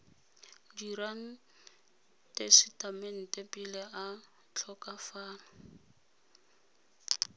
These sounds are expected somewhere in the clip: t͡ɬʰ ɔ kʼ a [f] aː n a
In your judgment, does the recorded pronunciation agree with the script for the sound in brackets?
yes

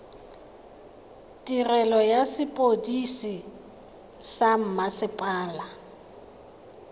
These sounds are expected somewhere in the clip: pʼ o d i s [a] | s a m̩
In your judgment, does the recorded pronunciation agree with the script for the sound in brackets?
no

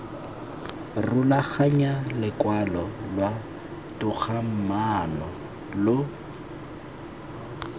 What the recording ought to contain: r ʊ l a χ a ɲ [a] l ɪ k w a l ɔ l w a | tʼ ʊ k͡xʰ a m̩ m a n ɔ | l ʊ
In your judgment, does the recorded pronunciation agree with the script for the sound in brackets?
yes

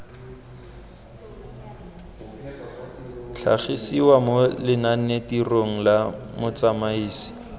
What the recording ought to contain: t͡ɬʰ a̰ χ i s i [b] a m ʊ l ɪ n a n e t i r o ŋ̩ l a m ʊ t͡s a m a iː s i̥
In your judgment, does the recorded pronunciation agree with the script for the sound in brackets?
no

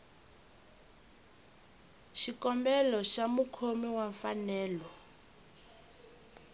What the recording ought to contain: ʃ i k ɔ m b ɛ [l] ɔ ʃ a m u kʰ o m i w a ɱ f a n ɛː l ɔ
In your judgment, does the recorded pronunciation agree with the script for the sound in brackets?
yes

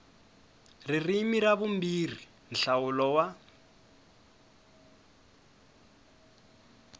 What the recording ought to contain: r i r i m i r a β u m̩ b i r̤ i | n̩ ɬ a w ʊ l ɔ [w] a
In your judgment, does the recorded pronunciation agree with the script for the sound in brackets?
yes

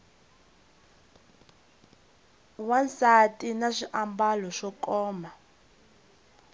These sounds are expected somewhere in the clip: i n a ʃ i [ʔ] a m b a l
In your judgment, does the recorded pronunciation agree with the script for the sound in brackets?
yes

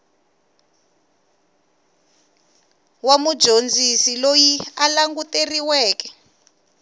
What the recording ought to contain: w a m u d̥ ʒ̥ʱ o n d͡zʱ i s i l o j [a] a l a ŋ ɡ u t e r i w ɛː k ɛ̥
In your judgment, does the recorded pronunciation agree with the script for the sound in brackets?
no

